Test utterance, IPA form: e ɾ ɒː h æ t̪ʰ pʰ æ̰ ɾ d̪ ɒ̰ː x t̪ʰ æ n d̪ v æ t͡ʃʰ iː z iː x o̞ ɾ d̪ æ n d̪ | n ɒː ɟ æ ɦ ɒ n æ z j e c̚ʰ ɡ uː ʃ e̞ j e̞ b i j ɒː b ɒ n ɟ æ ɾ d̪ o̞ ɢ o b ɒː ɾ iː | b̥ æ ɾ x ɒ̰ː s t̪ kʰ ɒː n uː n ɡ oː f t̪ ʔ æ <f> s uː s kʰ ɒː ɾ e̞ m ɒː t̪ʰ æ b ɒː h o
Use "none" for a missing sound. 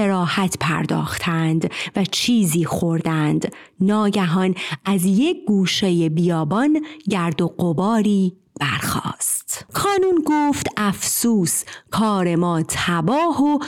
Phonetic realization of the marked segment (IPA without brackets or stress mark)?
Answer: f